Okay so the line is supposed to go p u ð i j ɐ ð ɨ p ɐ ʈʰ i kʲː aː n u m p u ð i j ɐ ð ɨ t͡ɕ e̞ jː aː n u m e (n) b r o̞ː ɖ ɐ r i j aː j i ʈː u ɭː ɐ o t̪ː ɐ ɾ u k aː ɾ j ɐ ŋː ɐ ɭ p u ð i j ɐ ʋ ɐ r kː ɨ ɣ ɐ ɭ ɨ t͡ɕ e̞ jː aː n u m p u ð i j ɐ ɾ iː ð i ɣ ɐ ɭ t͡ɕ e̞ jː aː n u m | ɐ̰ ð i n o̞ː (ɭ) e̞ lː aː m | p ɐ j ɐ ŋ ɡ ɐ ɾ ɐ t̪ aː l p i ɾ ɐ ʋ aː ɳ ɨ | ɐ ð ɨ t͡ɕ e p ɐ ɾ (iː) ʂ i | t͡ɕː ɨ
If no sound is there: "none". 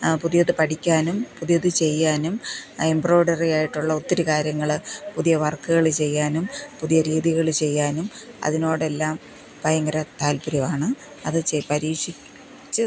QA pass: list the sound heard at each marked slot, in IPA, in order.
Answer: m, ɽ, iː

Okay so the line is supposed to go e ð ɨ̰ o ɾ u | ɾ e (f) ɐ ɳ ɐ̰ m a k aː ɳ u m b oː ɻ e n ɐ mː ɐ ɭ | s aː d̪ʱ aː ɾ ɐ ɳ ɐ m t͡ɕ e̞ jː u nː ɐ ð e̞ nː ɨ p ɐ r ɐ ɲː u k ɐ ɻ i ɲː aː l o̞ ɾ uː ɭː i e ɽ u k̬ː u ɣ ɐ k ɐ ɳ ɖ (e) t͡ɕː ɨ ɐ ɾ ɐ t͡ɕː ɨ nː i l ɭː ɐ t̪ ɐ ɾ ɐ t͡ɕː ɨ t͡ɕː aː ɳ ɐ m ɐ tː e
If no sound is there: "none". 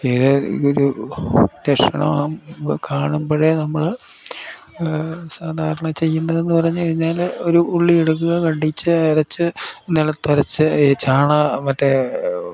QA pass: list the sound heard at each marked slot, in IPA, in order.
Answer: ʂ, i

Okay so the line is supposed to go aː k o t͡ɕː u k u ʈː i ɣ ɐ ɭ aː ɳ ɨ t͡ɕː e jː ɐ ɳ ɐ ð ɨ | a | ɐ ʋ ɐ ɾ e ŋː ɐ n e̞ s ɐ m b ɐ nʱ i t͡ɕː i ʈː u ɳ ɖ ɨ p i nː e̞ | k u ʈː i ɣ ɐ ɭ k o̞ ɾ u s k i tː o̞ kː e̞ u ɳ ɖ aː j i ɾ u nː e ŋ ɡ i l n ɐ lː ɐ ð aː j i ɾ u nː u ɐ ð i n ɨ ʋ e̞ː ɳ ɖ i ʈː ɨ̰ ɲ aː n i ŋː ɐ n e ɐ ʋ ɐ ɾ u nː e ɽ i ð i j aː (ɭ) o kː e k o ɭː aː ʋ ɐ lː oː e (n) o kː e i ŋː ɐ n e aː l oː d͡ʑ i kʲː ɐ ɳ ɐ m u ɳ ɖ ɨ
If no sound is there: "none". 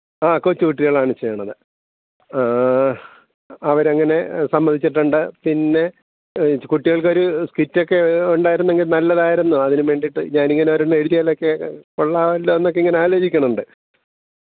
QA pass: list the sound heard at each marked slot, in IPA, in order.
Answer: l, nː

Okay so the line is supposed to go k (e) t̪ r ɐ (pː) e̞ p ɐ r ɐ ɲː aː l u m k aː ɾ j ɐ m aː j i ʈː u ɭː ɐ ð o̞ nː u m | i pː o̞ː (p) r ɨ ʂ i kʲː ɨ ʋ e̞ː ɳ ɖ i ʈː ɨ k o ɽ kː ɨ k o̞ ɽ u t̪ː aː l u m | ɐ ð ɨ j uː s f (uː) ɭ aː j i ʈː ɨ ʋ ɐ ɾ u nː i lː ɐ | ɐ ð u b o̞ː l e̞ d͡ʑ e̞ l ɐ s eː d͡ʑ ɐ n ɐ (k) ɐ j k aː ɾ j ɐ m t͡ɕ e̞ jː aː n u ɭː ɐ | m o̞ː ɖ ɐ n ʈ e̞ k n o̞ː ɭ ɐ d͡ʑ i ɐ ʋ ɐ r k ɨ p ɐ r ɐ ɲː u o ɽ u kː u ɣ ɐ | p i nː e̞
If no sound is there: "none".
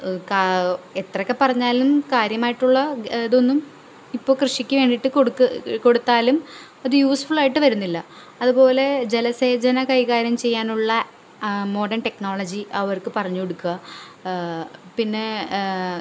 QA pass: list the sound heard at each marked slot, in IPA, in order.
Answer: e, kː, k, u, k

